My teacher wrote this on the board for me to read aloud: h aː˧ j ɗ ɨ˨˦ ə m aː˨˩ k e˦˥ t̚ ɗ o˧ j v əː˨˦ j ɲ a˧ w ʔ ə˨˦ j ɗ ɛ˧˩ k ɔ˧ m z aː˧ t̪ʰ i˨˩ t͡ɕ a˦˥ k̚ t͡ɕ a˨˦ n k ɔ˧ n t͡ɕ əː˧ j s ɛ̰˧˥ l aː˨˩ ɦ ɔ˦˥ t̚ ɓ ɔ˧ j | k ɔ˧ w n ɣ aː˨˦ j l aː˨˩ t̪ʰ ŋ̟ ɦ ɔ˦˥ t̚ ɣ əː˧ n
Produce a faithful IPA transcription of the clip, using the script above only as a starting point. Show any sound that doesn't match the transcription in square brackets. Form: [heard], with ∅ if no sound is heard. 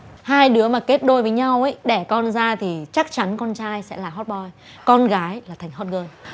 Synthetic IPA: h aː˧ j ɗ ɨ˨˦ ə m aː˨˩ k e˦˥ t̚ ɗ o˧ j v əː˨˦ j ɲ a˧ w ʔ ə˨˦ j ɗ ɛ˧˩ k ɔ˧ [n] z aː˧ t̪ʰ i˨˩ t͡ɕ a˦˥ k̚ t͡ɕ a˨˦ n k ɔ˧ n t͡ɕ [aː˧] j s ɛ̰˧˥ l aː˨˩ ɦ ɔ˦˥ t̚ ɓ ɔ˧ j | k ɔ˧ [∅] n ɣ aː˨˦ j l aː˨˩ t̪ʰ ŋ̟ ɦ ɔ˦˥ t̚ ɣ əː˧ n